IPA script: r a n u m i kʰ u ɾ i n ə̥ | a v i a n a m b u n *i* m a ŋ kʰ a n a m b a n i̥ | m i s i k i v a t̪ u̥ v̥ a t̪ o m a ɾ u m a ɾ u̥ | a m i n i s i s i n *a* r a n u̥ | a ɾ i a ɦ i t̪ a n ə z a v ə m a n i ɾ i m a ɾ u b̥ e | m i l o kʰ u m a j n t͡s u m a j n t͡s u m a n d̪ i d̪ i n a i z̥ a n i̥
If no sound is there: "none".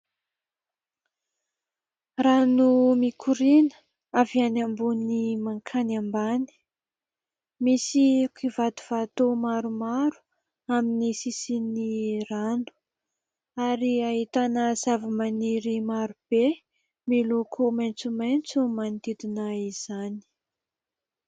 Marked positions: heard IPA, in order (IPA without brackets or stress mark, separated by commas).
i, i